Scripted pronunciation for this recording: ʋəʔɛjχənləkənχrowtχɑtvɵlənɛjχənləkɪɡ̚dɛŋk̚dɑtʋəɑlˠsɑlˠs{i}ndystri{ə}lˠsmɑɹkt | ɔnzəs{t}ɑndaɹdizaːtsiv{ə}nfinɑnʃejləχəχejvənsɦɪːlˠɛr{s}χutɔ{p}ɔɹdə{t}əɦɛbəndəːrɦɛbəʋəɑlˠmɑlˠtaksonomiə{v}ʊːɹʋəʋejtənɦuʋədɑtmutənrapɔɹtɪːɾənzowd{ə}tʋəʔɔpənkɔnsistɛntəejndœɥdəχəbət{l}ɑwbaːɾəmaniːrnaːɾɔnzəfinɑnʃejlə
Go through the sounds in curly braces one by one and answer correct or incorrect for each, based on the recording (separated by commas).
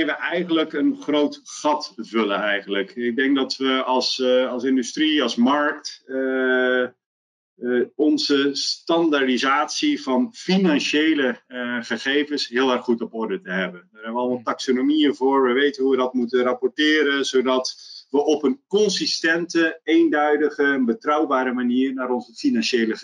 incorrect, incorrect, correct, incorrect, incorrect, correct, correct, correct, incorrect, incorrect